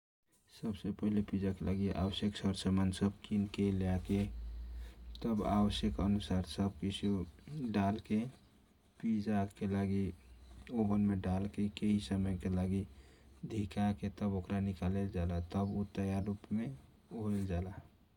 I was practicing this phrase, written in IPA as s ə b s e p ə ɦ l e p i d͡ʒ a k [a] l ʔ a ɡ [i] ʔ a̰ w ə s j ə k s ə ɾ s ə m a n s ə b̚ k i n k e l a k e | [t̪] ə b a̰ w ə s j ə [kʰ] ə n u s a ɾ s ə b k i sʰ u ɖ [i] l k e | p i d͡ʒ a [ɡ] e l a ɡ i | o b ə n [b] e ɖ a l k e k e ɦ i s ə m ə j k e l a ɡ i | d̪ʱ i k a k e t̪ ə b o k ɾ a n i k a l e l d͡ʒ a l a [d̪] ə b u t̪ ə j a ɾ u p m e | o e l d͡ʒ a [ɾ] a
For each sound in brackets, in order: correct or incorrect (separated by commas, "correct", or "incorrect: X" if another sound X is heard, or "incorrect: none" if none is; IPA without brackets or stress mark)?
incorrect: e, correct, correct, incorrect: k, incorrect: a, incorrect: k, incorrect: m, incorrect: t̪, incorrect: l